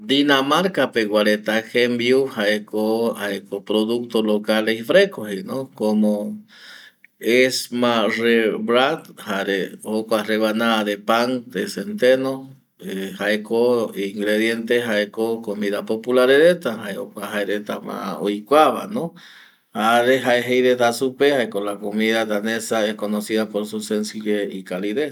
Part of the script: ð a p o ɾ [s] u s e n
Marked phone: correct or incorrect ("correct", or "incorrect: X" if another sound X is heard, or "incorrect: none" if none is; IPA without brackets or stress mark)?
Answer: correct